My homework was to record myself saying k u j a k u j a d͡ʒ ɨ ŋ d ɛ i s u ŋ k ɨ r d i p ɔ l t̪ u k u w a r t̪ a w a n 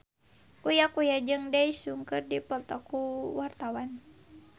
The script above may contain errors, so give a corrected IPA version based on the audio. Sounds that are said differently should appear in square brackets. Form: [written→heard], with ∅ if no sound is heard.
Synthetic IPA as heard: k u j a k u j a d͡ʒ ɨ ŋ d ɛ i s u ŋ k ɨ r d i p ɔ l t̪ [u→ɔ] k u w a r t̪ a w a n